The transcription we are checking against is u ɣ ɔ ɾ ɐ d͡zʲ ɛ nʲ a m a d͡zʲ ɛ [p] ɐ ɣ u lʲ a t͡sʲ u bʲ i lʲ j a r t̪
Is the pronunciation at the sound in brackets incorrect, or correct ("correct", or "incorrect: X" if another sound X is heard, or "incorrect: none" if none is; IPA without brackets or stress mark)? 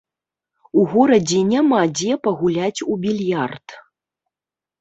correct